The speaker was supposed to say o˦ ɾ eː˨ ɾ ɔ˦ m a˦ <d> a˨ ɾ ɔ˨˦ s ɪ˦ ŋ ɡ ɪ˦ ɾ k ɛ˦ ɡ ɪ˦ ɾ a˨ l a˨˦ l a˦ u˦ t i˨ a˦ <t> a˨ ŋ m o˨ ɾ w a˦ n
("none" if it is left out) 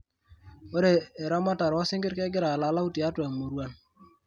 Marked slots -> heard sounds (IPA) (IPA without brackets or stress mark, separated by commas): t, t